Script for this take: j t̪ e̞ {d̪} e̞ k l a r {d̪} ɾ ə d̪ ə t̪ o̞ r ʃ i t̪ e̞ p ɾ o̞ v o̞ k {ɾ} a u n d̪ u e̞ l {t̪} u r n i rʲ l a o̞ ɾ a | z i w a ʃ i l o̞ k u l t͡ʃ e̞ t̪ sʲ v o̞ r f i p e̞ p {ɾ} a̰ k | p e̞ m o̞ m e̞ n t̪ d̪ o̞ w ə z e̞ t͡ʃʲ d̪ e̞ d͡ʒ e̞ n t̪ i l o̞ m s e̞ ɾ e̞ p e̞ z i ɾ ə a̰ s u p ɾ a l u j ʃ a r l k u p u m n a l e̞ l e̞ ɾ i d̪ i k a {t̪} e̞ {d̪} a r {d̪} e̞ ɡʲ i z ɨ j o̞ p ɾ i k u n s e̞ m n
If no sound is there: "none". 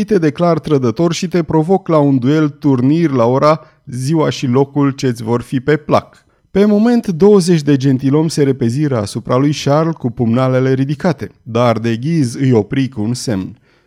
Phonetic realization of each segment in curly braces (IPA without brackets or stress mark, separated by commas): d̪, t̪, l, t̪, l, t̪, d̪, d̪